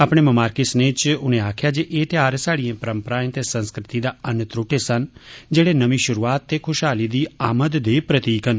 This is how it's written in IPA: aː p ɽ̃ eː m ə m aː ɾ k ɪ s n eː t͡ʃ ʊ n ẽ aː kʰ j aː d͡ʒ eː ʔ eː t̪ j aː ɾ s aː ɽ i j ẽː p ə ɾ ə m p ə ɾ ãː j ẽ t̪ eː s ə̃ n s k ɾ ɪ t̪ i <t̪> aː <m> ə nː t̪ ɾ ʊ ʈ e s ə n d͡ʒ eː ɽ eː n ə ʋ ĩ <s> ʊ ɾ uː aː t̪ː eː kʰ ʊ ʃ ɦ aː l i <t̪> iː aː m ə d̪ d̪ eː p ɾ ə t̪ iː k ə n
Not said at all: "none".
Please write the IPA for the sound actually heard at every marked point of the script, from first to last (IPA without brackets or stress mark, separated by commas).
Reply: d̪, none, ʃ, d̪